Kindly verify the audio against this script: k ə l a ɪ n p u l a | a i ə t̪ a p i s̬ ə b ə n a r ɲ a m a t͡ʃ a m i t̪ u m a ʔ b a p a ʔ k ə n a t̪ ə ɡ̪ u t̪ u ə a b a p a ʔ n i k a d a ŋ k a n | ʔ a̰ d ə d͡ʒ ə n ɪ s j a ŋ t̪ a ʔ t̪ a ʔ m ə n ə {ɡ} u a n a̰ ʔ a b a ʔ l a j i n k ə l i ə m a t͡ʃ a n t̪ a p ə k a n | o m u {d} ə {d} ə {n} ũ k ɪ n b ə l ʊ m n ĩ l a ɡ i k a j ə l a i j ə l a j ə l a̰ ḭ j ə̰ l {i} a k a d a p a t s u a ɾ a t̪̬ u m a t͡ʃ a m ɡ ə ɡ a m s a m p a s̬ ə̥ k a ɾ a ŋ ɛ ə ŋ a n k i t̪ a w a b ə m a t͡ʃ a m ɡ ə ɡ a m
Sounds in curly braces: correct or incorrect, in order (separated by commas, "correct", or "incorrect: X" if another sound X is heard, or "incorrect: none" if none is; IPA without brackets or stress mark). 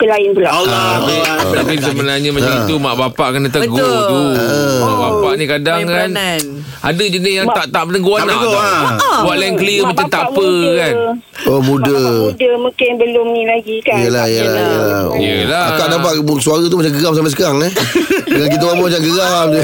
correct, correct, correct, incorrect: m, incorrect: a